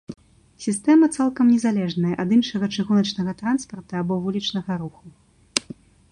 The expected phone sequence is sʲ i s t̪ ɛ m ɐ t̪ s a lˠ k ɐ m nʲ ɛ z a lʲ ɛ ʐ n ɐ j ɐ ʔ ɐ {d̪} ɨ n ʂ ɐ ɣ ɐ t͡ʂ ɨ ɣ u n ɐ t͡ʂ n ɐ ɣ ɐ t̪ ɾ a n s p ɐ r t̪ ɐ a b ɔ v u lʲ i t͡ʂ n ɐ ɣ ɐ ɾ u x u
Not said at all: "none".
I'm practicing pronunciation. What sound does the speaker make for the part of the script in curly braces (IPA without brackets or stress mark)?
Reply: d̪